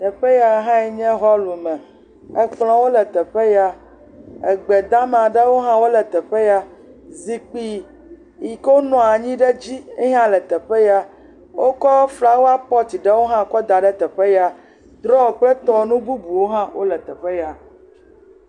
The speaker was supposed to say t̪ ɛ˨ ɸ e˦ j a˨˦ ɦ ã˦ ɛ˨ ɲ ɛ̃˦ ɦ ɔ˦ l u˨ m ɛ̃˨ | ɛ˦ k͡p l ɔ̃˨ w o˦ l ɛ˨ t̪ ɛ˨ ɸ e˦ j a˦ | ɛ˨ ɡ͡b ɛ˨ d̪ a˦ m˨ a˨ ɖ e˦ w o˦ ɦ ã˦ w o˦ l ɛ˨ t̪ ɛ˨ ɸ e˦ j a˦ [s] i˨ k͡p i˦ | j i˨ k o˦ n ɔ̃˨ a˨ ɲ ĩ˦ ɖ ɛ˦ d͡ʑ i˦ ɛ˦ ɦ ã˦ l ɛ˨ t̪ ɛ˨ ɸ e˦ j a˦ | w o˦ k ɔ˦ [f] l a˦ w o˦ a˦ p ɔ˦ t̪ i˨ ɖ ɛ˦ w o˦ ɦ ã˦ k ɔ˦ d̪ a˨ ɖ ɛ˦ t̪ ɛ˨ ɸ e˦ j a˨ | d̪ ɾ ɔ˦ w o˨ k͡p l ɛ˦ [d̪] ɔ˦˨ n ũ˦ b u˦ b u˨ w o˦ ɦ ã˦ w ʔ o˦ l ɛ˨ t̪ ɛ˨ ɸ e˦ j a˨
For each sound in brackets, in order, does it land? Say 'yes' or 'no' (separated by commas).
no, yes, no